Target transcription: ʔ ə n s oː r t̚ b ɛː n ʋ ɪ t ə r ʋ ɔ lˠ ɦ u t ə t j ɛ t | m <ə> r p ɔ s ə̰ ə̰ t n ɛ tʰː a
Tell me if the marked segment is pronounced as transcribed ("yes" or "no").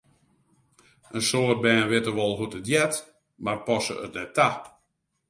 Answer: no